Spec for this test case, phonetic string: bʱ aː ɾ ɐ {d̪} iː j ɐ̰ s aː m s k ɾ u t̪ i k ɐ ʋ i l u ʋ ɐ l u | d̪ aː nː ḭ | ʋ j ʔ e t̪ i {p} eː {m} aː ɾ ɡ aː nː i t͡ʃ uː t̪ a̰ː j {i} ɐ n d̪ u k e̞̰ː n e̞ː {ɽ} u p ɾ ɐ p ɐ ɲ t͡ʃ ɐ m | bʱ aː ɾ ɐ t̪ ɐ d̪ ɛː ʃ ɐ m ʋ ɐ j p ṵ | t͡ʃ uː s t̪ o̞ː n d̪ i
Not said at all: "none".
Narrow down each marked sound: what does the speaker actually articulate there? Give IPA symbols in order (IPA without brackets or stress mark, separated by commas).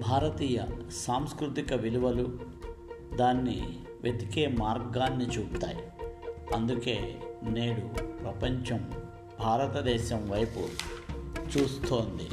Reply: t̪, k, m, i, ɽ